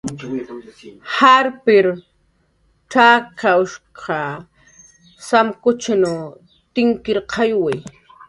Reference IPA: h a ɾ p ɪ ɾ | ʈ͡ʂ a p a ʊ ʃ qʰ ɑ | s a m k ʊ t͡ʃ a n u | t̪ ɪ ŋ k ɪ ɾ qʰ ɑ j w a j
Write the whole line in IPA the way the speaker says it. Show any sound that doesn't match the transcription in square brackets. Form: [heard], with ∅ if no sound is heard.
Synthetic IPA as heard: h a ɾ p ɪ ɾ | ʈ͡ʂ a [k] a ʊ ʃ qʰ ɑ | s a m k ʊ t͡ʃ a n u | t̪ ɪ ŋ k ɪ ɾ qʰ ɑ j w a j